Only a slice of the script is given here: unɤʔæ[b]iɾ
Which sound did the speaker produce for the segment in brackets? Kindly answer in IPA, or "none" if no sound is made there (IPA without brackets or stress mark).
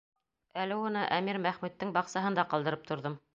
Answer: m